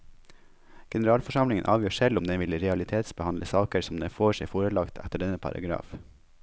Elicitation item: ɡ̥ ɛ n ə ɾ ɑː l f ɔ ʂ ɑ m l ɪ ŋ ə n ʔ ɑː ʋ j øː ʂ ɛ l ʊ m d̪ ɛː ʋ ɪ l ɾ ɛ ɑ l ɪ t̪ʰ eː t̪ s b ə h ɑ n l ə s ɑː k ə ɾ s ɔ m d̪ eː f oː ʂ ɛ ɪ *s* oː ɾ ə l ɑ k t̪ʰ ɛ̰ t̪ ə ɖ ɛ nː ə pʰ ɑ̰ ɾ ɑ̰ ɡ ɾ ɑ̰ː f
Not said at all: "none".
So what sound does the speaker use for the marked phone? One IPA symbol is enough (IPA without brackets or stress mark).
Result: f